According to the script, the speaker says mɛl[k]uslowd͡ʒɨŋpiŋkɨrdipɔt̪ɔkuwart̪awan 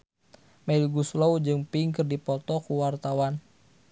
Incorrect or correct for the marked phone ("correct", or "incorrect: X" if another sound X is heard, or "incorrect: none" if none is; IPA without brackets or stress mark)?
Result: incorrect: ɡ